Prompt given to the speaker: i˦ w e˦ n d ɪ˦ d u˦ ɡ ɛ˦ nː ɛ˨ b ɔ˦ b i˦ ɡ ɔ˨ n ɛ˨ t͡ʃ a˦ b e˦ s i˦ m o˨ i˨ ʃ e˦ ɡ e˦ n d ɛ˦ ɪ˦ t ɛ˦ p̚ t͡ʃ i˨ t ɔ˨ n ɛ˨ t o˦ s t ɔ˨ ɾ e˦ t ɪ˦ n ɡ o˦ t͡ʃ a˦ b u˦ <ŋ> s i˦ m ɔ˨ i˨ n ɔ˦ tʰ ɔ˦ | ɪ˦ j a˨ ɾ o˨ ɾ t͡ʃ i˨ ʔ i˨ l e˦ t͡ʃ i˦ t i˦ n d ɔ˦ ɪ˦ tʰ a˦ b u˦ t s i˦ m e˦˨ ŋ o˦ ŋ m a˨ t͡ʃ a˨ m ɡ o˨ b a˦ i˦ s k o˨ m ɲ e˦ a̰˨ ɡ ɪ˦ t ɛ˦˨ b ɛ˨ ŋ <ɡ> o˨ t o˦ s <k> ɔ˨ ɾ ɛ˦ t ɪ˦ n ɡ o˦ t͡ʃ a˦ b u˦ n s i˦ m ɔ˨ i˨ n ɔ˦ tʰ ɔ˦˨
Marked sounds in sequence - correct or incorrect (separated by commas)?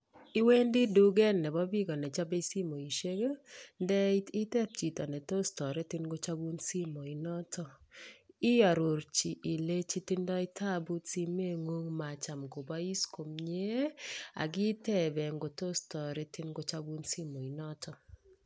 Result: incorrect, correct, incorrect